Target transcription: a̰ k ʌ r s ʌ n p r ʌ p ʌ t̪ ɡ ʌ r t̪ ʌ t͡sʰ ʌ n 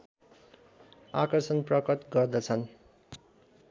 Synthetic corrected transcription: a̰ k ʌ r s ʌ n p r ʌ k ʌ t̪ ɡ ʌ r d̪ ʌ t͡sʰ ʌ n

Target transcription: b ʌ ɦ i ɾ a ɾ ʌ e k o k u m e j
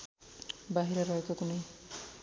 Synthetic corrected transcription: b a ɦ i ɾ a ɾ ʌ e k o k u n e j

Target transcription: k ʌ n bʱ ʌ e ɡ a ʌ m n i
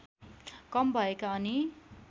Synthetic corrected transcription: k ʌ m bʱ ʌ e k a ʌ n i

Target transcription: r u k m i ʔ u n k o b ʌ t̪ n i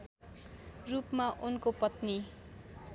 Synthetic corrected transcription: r u p m a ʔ u n k o p ʌ t̪ n i

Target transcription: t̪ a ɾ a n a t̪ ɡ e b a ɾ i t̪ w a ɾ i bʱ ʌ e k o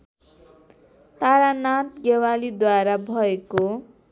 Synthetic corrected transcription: t̪ a ɾ a n a t̪ ɡ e w a l i d̪ w a ɾ a bʱ ʌ e k o

